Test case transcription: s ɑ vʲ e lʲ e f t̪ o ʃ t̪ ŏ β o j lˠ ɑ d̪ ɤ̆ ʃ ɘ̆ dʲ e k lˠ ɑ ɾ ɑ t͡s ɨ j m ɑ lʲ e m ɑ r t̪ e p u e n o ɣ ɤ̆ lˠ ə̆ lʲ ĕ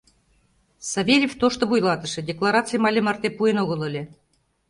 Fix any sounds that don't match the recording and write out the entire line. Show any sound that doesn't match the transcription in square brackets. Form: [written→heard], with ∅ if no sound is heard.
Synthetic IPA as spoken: s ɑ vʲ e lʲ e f t̪ o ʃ t̪ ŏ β [o→u] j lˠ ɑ [d̪→t̪] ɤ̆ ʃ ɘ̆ dʲ e k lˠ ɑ ɾ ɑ t͡s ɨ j m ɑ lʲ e m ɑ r t̪ e p u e n o ɣ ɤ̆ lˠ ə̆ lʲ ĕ